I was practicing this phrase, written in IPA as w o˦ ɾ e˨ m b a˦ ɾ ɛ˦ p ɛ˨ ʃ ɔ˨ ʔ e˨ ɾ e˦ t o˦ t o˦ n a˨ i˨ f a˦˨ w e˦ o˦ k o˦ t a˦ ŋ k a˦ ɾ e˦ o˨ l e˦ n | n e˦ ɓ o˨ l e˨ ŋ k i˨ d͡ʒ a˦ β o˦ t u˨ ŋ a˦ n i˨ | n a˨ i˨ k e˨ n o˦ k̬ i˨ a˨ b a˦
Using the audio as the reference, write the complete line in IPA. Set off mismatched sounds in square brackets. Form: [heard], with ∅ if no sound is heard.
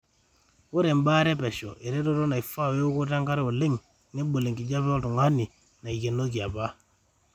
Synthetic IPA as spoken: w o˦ ɾ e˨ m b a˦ ɾ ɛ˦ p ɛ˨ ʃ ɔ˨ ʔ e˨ ɾ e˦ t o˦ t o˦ n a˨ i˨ f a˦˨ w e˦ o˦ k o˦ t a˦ ŋ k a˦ ɾ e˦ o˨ l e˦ [ŋ] | n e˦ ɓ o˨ l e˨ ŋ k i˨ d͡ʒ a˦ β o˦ t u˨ ŋ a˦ n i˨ | n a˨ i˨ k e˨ n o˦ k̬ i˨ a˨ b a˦